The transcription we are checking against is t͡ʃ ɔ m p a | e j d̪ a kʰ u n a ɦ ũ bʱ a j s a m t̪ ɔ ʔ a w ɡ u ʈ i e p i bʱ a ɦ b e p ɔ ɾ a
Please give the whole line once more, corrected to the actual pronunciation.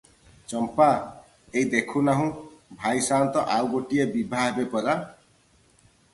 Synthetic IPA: t͡ʃ ɔ m p a | e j d̪ e kʰ u n a ɦ ũ bʱ a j s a n t̪ ɔ ʔ a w ɡ o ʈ i e b i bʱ a ɦ b e p ɔ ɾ a